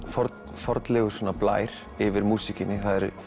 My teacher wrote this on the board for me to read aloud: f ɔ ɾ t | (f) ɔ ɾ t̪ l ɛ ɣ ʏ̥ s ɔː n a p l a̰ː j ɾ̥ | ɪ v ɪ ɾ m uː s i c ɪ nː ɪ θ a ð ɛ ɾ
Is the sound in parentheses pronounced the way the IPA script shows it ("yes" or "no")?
yes